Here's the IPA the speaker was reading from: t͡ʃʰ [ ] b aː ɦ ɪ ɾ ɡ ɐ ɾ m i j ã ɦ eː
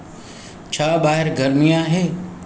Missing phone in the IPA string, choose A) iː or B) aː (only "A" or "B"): B